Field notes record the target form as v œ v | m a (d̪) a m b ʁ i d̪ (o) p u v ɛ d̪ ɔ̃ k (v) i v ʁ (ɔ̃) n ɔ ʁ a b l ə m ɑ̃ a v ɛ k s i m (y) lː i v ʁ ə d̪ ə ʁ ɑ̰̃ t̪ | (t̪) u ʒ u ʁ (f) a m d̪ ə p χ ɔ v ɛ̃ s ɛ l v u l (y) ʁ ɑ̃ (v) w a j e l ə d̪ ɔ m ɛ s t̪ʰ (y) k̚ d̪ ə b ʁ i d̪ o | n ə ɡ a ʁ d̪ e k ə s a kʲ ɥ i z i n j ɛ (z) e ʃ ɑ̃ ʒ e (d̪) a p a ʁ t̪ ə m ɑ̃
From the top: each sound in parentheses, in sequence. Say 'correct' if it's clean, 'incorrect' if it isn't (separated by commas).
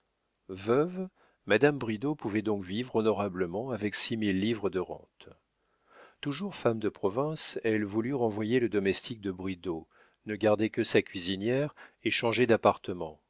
correct, correct, correct, incorrect, incorrect, correct, correct, correct, correct, incorrect, incorrect, correct